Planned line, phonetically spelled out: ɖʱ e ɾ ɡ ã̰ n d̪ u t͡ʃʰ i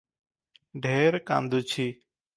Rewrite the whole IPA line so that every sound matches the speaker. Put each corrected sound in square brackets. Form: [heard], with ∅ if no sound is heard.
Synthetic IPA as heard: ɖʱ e ɾ [k] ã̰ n d̪ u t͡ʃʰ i